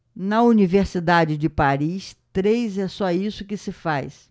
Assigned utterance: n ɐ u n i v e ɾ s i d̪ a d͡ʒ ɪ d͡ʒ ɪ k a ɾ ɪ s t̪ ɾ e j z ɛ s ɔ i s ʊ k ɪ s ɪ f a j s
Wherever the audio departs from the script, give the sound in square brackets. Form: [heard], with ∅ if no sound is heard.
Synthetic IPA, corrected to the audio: n ɐ u n i v e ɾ s i d̪ a d͡ʒ ɪ d͡ʒ ɪ [p] a ɾ [i] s t̪ ɾ e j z ɛ s ɔ i s ʊ k ɪ s ɪ f a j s